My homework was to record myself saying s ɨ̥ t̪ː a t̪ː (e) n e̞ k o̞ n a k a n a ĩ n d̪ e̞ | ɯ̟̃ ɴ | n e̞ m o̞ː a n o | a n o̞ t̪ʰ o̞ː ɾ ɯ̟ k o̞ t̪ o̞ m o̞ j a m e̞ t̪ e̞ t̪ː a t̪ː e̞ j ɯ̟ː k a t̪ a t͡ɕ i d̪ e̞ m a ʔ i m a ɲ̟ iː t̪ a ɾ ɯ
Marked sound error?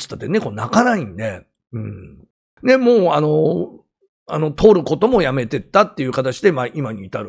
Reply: no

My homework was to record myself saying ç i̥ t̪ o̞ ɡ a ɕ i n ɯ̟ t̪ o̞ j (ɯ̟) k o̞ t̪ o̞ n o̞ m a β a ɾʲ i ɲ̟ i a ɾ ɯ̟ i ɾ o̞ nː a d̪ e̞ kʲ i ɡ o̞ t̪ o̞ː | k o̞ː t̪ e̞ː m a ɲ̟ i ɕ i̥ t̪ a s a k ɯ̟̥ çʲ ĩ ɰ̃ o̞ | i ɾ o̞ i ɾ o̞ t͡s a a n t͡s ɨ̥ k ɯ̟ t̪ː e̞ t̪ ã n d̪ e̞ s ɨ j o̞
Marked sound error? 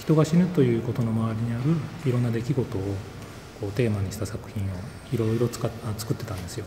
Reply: yes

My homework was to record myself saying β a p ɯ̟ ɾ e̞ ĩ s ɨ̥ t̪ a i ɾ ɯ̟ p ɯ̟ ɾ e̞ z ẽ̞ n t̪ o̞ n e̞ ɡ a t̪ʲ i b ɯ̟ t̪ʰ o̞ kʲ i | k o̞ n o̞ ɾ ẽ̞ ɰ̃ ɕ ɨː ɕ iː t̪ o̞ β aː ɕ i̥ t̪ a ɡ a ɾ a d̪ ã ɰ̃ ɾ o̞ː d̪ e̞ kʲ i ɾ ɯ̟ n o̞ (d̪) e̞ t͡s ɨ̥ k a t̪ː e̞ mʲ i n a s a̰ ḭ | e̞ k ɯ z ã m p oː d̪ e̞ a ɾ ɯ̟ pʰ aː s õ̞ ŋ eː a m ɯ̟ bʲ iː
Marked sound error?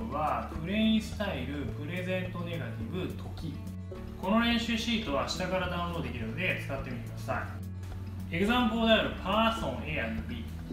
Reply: no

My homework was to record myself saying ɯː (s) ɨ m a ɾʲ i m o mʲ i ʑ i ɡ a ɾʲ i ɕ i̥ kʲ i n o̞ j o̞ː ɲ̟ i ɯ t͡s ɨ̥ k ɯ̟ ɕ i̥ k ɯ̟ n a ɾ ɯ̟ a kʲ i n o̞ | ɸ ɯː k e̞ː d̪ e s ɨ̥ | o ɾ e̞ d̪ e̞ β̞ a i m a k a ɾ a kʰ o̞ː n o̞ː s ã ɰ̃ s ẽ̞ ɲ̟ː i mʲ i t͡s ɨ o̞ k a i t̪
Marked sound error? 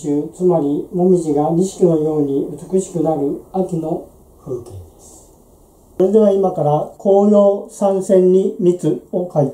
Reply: yes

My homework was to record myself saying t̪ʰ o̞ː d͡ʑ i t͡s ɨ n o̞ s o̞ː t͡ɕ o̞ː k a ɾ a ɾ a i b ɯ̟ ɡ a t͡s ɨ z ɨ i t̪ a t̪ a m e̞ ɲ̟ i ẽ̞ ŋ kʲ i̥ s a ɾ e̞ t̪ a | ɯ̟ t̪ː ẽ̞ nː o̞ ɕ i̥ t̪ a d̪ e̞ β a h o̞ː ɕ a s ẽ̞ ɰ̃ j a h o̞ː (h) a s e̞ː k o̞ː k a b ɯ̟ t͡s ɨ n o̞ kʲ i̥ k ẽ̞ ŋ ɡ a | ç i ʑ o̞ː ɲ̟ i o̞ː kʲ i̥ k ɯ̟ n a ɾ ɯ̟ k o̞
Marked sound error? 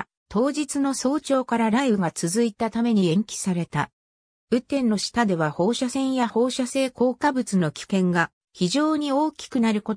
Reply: yes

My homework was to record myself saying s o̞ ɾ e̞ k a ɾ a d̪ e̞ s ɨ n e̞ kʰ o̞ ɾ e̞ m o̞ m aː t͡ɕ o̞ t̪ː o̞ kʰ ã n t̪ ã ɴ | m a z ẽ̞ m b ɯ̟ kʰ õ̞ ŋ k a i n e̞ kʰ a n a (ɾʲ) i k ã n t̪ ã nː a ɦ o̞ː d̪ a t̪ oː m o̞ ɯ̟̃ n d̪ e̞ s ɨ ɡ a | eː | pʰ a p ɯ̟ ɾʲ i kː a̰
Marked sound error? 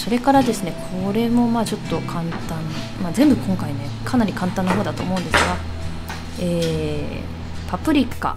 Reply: no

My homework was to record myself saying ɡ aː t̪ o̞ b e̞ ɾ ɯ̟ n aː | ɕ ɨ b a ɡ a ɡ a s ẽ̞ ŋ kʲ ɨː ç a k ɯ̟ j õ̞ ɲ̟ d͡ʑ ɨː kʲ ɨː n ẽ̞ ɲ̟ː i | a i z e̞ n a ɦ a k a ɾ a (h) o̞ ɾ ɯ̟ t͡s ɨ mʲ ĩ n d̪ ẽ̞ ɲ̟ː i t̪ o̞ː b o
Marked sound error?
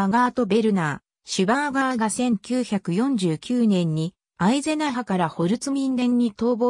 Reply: no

